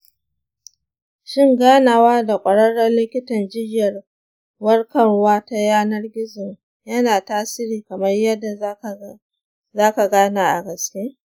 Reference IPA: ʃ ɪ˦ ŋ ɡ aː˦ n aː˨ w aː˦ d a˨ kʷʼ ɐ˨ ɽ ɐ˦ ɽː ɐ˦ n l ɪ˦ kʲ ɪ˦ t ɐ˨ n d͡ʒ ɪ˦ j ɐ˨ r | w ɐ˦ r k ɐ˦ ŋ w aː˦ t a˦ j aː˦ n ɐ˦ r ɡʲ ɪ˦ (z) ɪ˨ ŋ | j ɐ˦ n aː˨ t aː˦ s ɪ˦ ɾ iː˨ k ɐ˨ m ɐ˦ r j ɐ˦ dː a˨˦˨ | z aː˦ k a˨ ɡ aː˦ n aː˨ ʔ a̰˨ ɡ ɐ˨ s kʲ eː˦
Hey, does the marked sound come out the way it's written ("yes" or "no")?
yes